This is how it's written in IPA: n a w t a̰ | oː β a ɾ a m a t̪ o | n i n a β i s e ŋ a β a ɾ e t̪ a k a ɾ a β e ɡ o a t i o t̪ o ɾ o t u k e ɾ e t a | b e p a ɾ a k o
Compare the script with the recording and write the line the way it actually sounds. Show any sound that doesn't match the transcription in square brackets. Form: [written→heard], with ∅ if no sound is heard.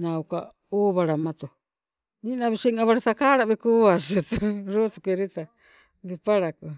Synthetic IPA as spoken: n a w [t→k] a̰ | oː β a ɾ a m a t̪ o | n i n a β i s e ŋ a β a ɾ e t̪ a k a ɾ a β e [ɡ→k] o a [t→s] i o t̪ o ɾ o t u k e ɾ e t a | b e p a ɾ a k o